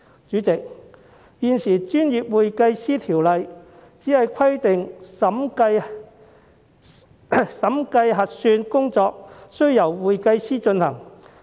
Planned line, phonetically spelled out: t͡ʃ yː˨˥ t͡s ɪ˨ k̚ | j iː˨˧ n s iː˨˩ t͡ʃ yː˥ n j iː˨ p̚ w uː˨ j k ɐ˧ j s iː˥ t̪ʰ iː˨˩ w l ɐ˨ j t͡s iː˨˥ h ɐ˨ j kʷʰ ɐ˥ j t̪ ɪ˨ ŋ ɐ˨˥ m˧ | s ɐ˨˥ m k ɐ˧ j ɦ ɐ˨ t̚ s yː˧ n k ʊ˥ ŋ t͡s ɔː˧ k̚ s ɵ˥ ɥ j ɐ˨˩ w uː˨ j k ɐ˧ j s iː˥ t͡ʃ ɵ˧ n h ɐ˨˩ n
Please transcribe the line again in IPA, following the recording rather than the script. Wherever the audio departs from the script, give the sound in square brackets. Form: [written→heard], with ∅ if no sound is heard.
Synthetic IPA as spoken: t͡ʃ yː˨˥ t͡s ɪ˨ k̚ | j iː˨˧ n s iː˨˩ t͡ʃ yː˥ n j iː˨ p̚ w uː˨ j k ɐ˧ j s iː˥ t̪ʰ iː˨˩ w l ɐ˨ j t͡s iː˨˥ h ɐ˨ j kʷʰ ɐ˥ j t̪ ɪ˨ ŋ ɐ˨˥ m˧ | s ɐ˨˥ m k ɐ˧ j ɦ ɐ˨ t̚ s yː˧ n k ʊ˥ ŋ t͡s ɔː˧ k̚ s ɵ˥ ɥ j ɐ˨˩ w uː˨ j k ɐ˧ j s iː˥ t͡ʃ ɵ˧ n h ɐ˨˩ [n→ŋ]